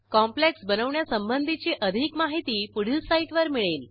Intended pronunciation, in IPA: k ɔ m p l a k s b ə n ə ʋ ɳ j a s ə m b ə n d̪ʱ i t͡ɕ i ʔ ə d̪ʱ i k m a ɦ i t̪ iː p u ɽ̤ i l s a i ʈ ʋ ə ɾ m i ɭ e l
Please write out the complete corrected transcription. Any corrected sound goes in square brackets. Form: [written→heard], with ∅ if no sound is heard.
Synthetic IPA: k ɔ m p l [a→e] k s b ə n ə ʋ ɳ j a s ə m b ə n d̪ʱ i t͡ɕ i ʔ ə d̪ʱ i k m a ɦ i t̪ iː p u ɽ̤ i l s a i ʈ ʋ ə ɾ m i ɭ e l